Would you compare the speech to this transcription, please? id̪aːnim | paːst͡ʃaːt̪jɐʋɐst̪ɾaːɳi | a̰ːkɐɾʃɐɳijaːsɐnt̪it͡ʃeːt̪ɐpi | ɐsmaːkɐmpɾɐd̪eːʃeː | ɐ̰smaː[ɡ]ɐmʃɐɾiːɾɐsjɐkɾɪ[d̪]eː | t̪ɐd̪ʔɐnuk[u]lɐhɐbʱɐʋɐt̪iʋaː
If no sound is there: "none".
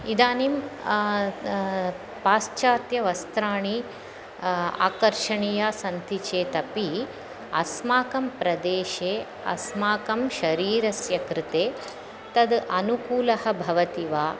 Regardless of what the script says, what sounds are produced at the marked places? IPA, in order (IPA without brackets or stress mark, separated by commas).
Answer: k, t̪, uː